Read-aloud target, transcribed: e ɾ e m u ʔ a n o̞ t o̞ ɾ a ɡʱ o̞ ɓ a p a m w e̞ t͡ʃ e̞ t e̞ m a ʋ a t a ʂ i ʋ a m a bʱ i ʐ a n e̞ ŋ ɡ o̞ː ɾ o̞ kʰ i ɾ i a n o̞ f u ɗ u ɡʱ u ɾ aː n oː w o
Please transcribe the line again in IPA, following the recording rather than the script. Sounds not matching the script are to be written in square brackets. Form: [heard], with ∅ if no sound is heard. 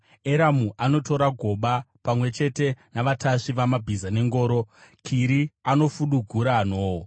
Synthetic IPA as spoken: e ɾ [a] m u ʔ a n o̞ t o̞ ɾ a ɡʱ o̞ ɓ a p a m w e̞ t͡ʃ e̞ t e̞ [n] a ʋ a t a ʂ i ʋ a m a bʱ i [z] a n e̞ ŋ ɡ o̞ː ɾ o̞ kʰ i ɾ i a n o̞ f u ɗ u ɡʱ u ɾ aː n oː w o